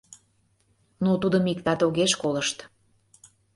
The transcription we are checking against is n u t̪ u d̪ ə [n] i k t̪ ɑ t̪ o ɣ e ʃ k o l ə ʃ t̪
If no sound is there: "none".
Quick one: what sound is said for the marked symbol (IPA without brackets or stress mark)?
m